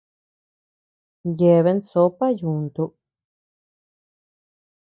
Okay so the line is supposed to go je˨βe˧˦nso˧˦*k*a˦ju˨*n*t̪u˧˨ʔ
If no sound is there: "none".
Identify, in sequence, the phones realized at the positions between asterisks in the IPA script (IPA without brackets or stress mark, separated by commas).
p, n